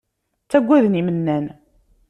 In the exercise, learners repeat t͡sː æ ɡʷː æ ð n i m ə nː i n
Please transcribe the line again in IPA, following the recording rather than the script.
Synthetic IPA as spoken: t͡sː æ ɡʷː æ ð n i m ə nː æ n